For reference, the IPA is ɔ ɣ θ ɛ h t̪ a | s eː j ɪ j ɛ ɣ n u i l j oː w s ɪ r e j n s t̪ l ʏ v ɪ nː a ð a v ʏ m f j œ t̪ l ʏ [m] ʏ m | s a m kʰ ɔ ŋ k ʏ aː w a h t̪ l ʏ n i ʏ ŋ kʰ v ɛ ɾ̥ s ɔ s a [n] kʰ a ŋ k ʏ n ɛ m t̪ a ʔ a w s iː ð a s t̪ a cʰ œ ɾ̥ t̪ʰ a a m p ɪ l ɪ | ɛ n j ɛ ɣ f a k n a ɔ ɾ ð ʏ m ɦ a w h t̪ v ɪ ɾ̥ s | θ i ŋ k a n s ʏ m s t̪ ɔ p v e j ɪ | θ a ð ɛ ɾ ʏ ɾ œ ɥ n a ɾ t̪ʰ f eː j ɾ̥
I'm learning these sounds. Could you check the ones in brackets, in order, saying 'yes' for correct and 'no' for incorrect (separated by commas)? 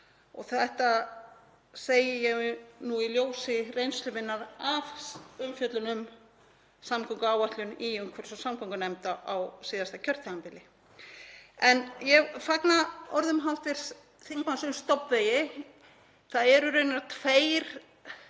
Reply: no, no